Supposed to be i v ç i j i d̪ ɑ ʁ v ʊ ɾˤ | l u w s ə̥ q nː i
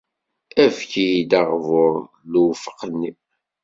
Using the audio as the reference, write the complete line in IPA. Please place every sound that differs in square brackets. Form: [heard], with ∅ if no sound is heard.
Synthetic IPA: [æ] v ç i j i d̪ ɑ ʁ v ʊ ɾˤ | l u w [f] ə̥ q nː i

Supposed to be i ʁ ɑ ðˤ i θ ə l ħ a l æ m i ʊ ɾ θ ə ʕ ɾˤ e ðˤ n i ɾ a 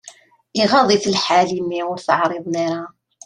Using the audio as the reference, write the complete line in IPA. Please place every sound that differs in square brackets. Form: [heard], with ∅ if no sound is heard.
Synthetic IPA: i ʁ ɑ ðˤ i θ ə l ħ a l [i] m i ʊ ɾ θ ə ʕ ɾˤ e ðˤ n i ɾ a

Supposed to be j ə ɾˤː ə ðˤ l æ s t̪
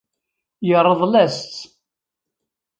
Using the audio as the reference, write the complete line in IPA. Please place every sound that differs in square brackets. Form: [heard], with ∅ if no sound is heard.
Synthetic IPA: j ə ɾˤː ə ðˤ l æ s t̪

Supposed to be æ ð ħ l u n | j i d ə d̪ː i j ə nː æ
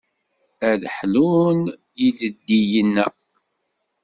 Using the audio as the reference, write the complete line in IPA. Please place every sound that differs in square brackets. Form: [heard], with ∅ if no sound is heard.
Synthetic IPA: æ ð ħ l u n | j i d ə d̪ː i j ə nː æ

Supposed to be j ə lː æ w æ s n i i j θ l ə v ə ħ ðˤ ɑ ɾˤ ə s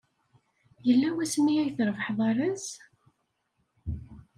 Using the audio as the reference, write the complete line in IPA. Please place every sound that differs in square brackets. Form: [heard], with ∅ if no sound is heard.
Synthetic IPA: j ə lː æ w æ s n i [æ] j θ [ɾ] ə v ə ħ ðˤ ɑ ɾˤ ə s

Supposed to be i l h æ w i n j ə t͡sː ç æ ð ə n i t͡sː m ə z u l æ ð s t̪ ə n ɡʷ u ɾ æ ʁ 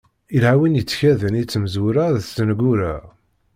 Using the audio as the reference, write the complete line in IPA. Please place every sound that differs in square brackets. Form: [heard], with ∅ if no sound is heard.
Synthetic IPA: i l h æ w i n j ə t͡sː ç æ ð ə n i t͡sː m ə z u [ɾ] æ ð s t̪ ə n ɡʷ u ɾ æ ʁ

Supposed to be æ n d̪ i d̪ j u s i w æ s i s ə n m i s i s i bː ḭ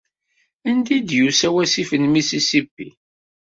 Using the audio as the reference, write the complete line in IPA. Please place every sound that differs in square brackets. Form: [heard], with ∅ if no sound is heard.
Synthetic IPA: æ n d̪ i d̪ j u s [æ] w æ s i [f] ə n m i s i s i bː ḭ

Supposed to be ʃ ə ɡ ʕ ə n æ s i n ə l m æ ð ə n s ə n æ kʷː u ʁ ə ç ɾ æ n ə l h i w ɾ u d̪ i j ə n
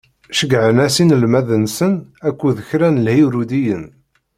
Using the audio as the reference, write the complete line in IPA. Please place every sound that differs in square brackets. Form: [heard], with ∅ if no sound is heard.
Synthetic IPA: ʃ ə ɡ ʕ ə n æ s i n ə l m æ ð ə n s ə n æ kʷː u [ð] ə ç ɾ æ n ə l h i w ɾ u d̪ i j ə n

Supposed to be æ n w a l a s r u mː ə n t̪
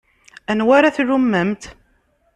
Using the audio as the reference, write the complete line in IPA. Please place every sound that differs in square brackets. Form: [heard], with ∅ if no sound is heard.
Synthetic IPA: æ n w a [ɾ] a [θ] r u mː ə [m] t̪

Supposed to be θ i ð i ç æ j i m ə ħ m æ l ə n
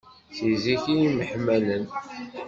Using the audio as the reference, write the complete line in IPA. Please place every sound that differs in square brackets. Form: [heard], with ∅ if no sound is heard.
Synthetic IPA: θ i [z] i ç [i] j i m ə ħ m æ l ə n

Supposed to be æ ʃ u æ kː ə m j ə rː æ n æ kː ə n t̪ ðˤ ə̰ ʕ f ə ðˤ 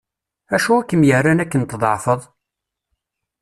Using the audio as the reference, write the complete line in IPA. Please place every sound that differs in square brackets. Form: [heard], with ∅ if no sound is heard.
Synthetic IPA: æ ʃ u æ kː ə m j ə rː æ n æ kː ə n t̪ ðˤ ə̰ ʕ f ə ðˤ

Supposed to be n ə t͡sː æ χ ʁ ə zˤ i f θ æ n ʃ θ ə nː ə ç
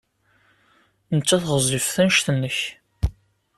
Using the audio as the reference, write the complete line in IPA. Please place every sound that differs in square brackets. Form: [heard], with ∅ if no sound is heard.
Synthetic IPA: n ə t͡sː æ [θ] ʁ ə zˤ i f θ æ n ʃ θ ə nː ə ç

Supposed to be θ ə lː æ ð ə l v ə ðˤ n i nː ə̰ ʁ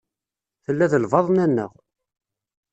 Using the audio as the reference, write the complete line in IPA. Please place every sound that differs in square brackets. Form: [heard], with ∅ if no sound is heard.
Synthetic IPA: θ ə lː æ ð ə l v [ɑ] ðˤ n [æ] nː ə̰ ʁ

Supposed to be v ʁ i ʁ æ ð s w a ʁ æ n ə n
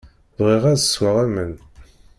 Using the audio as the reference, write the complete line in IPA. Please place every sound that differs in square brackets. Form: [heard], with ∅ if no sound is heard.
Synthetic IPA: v ʁ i ʁ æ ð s w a ʁ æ [m] ə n

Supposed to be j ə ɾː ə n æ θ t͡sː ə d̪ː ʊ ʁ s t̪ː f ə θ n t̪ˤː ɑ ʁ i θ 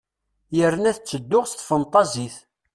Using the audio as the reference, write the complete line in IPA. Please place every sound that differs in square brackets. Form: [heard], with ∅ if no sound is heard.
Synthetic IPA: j ə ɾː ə n æ θ t͡sː ə d̪ː ʊ ʁ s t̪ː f ə [∅] n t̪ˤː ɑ [z] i θ

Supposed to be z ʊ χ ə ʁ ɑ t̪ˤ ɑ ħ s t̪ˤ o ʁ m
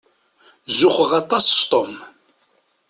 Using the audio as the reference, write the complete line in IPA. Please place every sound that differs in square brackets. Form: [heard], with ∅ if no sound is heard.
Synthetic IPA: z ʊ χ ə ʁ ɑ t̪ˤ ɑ [s] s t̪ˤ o [∅] m

